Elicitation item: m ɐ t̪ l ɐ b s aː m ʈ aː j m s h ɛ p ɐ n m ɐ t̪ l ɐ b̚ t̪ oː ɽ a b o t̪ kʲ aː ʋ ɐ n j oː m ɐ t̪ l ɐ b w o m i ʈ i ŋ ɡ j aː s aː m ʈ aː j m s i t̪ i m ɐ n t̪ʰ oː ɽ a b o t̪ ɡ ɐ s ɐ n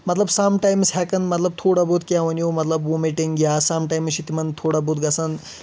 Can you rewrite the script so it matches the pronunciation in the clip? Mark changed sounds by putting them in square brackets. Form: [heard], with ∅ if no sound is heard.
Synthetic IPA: m ɐ t̪ l ɐ b s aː m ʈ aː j m s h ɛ [k] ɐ n m ɐ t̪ l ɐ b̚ [t̪ʰ] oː ɽ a b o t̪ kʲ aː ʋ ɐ n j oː m ɐ t̪ l ɐ b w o m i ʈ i ŋ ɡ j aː s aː m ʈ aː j m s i t̪ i m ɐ n t̪ʰ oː ɽ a b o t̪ ɡ ɐ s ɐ n